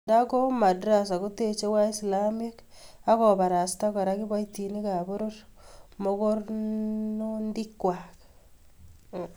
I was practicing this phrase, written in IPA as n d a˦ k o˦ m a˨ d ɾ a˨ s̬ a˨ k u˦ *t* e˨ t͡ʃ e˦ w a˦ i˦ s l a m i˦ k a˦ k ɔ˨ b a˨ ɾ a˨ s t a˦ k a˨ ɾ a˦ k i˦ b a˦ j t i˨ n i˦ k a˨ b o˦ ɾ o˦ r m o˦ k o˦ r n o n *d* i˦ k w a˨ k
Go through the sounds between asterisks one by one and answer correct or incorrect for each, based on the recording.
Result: correct, correct

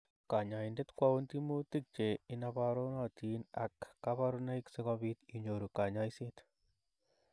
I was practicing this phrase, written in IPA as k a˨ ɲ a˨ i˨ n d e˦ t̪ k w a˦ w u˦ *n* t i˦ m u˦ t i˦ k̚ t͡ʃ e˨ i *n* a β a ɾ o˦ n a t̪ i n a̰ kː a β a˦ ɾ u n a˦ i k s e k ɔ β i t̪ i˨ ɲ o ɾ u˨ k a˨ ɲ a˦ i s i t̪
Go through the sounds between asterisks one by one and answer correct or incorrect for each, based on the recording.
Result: correct, correct

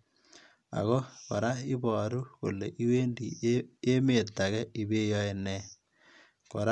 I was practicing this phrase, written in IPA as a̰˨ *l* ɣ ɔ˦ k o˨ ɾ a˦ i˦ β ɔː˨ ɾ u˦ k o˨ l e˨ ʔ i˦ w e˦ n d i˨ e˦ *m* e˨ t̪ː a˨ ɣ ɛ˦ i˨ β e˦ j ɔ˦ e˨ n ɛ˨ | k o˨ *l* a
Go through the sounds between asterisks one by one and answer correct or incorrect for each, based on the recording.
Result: incorrect: none, correct, incorrect: ɾ

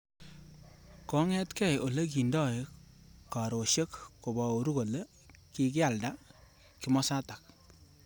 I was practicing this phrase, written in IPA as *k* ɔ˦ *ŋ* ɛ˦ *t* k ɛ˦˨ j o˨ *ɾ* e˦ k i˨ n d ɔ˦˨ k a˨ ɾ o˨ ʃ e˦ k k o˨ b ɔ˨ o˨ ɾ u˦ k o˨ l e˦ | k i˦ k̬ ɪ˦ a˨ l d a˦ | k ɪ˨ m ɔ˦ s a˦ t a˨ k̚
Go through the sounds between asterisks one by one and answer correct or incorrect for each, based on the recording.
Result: correct, correct, correct, incorrect: l

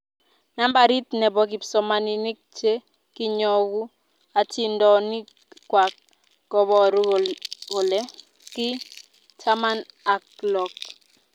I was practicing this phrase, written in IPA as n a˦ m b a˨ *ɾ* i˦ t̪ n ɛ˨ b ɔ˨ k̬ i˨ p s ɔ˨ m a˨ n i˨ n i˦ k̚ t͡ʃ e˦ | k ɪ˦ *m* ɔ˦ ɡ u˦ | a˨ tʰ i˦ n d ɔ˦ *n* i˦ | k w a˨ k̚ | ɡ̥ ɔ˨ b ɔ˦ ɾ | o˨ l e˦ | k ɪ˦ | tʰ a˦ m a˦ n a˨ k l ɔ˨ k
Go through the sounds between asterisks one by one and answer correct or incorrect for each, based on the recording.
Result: correct, incorrect: ɲ, correct

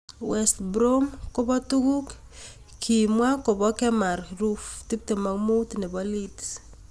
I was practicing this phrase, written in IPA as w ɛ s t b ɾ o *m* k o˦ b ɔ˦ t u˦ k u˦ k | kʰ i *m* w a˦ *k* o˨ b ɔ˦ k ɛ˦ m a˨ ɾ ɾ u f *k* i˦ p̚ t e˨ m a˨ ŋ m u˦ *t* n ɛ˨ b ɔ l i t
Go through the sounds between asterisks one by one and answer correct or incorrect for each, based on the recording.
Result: correct, correct, correct, incorrect: t, correct

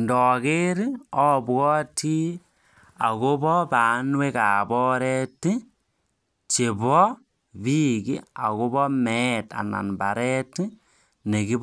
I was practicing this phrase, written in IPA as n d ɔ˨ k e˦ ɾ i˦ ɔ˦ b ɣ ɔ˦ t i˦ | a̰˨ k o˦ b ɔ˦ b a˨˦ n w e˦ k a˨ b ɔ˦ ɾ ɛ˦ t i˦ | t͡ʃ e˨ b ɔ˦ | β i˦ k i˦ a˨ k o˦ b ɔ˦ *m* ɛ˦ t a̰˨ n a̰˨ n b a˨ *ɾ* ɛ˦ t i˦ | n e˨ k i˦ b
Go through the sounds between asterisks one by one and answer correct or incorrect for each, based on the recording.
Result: correct, correct

